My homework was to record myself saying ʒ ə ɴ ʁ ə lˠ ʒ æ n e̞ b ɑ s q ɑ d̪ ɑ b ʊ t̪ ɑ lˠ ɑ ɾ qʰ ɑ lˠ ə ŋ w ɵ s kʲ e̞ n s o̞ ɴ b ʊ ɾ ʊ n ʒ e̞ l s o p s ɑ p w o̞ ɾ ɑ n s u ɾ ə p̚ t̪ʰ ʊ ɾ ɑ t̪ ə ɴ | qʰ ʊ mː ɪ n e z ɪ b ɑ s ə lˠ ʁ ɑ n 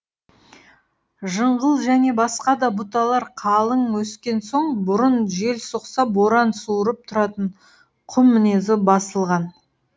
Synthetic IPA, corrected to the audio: ʒ ə ɴ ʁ ə lˠ ʒ æ n e̞ b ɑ s q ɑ d̪ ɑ b ʊ t̪ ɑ lˠ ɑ ɾ qʰ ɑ lˠ ə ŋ w ɵ s kʲ e̞ n s o̞ ɴ b ʊ ɾ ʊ n ʒ e̞ l s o q s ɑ p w o̞ ɾ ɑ n s u ɾ ə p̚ t̪ʰ ʊ ɾ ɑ t̪ ə ɴ | qʰ ʊ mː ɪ n e z ɪ b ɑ s ə lˠ ʁ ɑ n